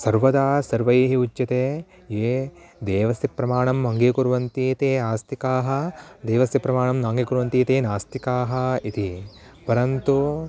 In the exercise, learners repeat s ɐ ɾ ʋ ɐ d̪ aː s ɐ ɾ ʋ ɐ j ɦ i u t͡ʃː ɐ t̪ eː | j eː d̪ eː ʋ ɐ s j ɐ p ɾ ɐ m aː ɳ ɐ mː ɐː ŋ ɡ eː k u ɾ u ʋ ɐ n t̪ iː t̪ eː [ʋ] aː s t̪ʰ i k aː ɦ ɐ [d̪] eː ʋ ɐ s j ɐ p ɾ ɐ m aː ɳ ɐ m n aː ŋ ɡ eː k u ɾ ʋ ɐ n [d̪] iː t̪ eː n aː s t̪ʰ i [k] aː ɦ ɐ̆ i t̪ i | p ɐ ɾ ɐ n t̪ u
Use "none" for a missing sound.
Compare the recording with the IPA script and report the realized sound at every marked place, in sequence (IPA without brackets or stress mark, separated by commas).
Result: none, d̪, t̪, k